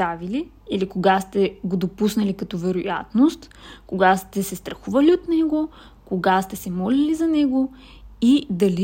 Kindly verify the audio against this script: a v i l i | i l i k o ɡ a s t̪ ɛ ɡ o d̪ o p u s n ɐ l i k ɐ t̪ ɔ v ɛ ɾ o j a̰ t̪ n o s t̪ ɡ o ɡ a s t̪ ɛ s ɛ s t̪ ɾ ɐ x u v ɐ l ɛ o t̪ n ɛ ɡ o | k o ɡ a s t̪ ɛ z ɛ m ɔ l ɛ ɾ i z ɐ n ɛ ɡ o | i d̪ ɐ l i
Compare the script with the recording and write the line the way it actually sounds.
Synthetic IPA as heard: a v i l i | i l i k o ɡ a s t̪ ɛ ɡ o d̪ o p u s n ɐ l i k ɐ t̪ ɔ v ɛ ɾ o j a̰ t̪ n o s t̪ k o ɡ a s t̪ ɛ s ɛ s t̪ ɾ ɐ x u v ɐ l i o t̪ n ɛ ɡ o | k o ɡ a s t̪ ɛ s ɛ m ɔ l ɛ l i z ɐ n ɛ ɡ o | i d̪ ɐ l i